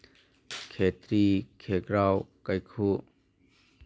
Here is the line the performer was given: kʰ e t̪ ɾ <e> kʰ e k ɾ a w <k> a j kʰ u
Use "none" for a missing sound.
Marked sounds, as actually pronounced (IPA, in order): i, k

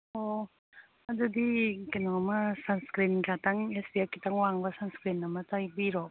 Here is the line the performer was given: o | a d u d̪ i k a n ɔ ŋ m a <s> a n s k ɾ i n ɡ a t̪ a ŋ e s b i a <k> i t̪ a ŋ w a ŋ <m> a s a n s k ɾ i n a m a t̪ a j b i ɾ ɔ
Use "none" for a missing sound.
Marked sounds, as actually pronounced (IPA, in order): s, k, b

